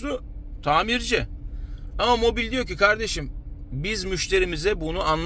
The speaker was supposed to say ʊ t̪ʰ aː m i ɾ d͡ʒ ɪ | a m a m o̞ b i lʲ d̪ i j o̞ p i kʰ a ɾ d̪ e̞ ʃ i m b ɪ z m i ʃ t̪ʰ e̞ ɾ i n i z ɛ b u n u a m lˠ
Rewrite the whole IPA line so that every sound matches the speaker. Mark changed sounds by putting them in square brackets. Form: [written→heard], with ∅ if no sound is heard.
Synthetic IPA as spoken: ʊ t̪ʰ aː m i ɾ d͡ʒ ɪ | a m a m o̞ b i lʲ d̪ i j o̞ [p→c] i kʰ a ɾ d̪ e̞ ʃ i m b [ɪ→i] z m [i→y] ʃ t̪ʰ e̞ ɾ i [n→m] i z ɛ b u n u a [m→n] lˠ